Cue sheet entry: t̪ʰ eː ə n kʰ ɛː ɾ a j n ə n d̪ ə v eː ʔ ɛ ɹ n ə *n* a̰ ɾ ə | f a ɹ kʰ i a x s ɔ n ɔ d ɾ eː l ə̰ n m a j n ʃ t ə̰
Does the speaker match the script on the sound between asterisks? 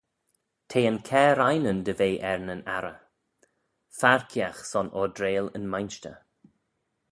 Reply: yes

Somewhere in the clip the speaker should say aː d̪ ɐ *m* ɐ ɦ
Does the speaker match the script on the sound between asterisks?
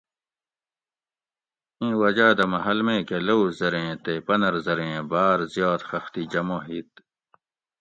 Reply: yes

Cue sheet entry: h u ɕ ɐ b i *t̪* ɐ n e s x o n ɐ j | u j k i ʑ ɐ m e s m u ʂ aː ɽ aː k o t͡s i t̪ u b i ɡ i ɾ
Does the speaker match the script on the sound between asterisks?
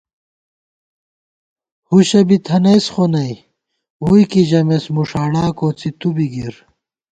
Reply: no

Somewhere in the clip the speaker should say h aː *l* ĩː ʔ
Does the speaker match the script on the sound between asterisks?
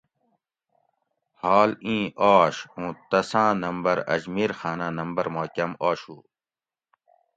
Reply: yes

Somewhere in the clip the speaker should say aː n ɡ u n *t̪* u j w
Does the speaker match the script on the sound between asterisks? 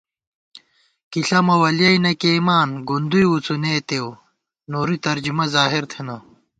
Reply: no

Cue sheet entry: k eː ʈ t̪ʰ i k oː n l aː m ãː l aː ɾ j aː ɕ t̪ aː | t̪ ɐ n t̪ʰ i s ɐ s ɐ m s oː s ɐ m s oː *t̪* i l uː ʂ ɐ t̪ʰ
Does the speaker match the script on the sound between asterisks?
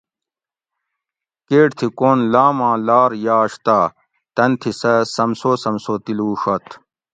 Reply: yes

